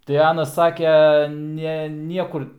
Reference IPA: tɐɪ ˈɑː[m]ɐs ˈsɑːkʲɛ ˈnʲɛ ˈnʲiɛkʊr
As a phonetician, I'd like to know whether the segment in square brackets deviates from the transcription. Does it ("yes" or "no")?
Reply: yes